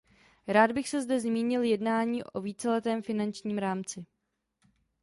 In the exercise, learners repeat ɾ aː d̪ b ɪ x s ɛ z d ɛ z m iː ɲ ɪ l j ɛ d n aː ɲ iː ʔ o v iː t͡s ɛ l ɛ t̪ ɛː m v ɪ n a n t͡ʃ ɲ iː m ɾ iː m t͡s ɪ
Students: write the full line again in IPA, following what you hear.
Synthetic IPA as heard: ɾ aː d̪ b ɪ x s ɛ z d ɛ z m iː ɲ ɪ l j ɛ d n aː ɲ iː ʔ o v iː t͡s ɛ l ɛ t̪ ɛː m f ɪ n a n t͡ʃ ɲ iː m ɾ aː m t͡s ɪ